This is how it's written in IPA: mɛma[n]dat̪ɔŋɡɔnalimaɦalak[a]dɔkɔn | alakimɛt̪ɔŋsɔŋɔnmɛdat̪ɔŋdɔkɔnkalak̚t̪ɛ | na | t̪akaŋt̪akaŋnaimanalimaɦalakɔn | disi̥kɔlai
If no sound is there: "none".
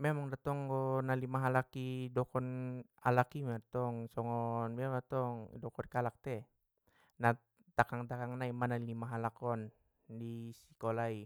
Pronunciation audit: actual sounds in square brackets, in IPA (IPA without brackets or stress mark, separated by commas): ŋ, i